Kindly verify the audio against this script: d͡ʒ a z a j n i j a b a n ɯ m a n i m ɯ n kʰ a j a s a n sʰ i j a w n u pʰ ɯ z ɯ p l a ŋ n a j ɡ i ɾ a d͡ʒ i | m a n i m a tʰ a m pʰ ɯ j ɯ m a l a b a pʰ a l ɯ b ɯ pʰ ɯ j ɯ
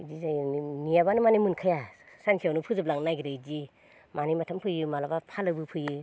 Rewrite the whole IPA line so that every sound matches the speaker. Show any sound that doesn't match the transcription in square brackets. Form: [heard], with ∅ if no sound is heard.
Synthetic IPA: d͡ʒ [i] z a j n i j a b a n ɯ m a n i m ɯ n kʰ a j a s a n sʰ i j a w n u pʰ ɯ z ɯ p l a ŋ n a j ɡ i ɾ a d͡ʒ i | m a n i m a tʰ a m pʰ ɯ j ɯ m a l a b a pʰ a l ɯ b ɯ pʰ ɯ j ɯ